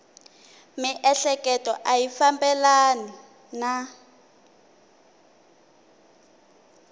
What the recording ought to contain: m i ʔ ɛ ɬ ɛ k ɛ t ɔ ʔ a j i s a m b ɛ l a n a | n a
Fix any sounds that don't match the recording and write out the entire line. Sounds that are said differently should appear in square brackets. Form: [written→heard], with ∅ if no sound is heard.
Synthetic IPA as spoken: m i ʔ ɛ ɬ ɛ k ɛ t ɔ ʔ a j i [s→f] a m b ɛ l a n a | n a